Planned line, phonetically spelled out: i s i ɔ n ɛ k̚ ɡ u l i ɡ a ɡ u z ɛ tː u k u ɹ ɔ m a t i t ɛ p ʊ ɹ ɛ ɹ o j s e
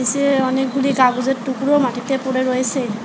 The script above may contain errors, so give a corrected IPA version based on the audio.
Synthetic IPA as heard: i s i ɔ n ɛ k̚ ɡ u l i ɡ a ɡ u z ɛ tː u k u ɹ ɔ m a t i t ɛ p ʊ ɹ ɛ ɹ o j s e